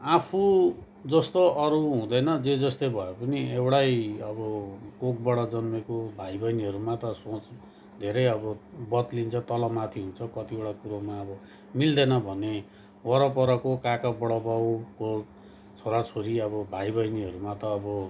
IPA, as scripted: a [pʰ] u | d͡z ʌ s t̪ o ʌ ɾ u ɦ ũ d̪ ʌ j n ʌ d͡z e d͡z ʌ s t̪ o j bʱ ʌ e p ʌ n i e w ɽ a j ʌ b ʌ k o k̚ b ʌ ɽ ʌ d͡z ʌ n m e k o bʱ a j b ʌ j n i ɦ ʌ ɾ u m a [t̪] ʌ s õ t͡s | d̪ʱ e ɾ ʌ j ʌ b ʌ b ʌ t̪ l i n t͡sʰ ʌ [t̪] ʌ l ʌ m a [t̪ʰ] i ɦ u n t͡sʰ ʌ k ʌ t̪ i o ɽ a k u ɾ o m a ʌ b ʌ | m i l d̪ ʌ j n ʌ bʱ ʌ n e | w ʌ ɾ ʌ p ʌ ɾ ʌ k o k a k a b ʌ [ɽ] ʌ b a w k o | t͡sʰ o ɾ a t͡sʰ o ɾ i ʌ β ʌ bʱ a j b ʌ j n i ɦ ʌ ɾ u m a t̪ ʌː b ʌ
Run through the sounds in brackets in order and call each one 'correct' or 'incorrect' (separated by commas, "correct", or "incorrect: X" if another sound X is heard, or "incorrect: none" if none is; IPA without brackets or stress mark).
correct, correct, correct, correct, correct